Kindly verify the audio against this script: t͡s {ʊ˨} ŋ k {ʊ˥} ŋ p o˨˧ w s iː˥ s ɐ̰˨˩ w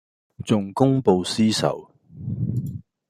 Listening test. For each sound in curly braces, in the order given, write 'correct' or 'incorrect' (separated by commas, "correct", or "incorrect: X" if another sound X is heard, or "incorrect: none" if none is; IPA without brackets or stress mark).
correct, correct